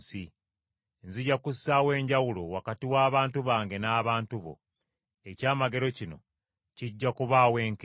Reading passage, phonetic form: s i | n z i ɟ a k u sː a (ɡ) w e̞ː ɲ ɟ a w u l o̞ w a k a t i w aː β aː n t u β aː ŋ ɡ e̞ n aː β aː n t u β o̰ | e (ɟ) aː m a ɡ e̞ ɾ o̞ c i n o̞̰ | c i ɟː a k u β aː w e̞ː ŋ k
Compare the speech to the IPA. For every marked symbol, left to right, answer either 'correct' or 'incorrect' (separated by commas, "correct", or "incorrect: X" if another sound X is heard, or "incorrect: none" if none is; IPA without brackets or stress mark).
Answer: incorrect: none, incorrect: c